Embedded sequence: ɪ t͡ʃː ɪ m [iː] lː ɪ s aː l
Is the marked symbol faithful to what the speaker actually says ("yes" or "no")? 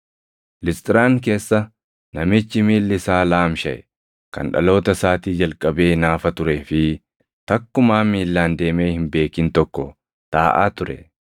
yes